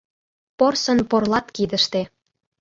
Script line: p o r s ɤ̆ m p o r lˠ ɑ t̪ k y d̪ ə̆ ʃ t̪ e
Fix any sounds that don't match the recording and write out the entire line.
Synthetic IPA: p o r s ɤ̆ n p o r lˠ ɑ t̪ k i d̪ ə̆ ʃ t̪ e